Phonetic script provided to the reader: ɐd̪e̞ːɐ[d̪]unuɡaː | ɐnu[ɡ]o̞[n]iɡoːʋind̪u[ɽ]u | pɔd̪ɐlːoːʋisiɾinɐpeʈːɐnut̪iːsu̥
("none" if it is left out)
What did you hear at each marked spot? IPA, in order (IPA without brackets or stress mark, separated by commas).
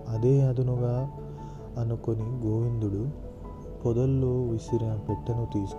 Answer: d̪, k, n, ɽ